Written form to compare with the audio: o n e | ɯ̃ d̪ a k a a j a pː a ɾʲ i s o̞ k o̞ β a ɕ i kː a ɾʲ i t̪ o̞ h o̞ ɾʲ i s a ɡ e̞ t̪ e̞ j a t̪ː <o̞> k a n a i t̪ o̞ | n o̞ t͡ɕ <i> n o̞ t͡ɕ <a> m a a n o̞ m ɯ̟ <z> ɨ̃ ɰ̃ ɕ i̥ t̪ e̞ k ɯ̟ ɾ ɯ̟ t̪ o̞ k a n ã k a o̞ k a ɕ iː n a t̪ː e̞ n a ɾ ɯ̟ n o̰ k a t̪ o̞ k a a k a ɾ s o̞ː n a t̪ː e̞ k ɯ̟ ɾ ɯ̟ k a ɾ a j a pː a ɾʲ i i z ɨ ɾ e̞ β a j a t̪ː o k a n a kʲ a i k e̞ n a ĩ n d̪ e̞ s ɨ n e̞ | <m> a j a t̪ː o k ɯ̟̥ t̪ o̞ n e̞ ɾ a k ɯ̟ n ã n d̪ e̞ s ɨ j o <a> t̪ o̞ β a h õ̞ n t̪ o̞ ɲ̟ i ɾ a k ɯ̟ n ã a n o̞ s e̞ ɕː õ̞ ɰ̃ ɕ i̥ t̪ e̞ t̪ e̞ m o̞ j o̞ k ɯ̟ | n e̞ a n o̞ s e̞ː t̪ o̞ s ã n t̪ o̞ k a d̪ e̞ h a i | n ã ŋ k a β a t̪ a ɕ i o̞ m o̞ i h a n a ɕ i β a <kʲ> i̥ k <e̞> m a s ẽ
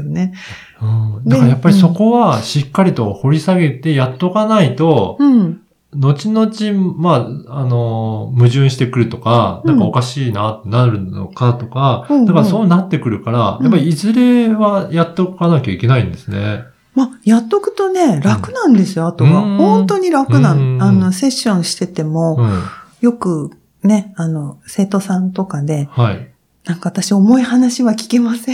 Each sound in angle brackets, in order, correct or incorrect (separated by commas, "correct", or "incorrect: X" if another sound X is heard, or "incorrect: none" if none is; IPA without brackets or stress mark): correct, correct, incorrect: i, incorrect: ʑ, correct, correct, correct, correct